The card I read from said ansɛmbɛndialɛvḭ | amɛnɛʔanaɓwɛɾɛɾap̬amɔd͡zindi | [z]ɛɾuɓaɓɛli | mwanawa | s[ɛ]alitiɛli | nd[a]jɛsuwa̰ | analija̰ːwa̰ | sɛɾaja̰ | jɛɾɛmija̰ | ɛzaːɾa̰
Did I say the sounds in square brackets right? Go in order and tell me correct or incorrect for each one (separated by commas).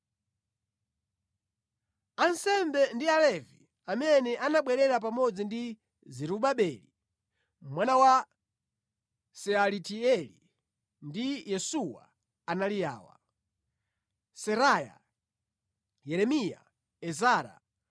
correct, correct, incorrect